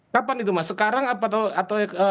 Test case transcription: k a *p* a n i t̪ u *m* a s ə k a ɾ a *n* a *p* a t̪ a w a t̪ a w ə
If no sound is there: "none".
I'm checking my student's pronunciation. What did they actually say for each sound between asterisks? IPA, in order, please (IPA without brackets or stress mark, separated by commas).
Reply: p, m, ŋ, p